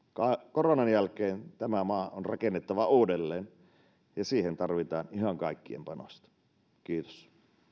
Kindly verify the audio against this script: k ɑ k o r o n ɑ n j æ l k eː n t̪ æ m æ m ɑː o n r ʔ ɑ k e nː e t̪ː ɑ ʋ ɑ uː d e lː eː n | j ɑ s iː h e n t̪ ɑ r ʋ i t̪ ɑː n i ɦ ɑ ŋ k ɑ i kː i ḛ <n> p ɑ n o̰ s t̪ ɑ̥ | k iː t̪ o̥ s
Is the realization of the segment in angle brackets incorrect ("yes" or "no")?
yes